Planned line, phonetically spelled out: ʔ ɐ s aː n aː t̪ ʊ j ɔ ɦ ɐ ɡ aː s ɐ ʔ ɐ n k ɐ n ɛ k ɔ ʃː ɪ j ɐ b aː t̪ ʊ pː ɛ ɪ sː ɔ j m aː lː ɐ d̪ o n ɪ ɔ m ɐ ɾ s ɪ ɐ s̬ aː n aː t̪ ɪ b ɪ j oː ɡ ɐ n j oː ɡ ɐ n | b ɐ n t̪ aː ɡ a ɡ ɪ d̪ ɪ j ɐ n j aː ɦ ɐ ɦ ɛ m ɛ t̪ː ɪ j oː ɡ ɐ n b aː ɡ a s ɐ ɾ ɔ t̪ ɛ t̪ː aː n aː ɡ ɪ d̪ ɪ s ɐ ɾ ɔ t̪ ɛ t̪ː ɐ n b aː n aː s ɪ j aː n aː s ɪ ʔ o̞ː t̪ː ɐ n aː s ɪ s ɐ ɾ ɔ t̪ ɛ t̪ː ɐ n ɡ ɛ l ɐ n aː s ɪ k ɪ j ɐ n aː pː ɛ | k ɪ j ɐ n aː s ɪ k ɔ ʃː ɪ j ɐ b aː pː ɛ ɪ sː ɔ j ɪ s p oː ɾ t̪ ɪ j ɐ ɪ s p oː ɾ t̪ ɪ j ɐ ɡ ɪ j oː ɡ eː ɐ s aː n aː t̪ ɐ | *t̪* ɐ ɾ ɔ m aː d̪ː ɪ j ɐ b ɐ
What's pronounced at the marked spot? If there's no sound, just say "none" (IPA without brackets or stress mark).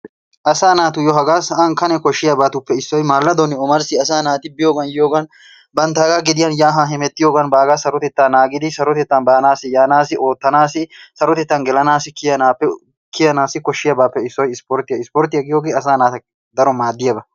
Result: d̪